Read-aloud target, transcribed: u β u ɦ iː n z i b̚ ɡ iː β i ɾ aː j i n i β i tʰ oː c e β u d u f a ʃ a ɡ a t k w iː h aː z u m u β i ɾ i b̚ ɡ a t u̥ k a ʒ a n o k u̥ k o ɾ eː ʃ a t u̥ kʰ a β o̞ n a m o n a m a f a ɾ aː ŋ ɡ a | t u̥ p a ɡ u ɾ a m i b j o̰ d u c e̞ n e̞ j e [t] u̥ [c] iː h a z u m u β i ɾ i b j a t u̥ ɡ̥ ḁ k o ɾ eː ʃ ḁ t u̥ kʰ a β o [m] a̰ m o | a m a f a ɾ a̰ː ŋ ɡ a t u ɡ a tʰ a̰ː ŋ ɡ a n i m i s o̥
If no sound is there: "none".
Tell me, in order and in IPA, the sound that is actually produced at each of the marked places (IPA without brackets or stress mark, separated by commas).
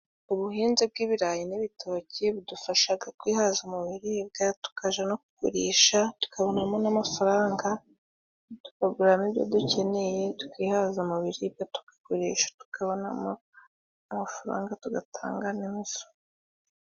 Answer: t, k, n